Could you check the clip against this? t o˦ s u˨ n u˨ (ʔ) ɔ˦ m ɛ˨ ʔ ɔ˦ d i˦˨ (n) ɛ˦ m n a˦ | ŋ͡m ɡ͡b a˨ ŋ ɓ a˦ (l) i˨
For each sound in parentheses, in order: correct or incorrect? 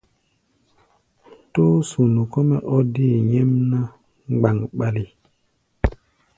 incorrect: k, incorrect: ɲ, correct

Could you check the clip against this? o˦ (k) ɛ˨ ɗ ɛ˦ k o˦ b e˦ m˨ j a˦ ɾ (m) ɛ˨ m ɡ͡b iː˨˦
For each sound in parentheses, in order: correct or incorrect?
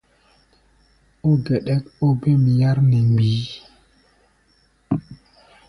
incorrect: ɡ, incorrect: n

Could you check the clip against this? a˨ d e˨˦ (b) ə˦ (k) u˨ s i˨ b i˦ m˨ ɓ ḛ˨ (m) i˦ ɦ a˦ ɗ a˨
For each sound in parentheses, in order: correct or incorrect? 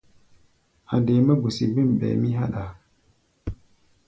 incorrect: m, incorrect: ɡ, correct

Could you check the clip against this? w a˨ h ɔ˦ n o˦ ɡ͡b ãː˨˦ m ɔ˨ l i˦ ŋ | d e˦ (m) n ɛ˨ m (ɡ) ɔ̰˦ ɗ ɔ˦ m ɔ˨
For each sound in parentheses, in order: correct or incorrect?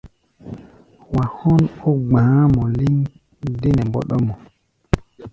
incorrect: none, incorrect: b

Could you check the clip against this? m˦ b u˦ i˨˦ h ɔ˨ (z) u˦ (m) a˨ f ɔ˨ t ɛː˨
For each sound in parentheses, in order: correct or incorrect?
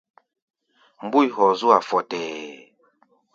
correct, incorrect: none

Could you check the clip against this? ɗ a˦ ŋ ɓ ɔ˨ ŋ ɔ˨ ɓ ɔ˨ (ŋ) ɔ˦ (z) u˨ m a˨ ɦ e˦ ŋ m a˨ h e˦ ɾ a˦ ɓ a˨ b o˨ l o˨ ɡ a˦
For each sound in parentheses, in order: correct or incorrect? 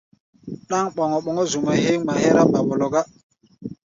correct, correct

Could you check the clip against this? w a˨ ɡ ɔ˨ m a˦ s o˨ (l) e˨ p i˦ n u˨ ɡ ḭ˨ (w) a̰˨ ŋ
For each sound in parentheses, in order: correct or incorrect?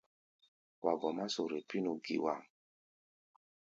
incorrect: ɾ, correct

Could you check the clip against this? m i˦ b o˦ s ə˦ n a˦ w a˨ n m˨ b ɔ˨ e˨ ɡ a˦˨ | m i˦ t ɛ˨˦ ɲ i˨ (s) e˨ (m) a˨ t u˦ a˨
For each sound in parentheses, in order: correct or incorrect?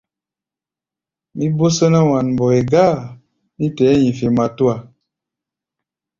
incorrect: f, correct

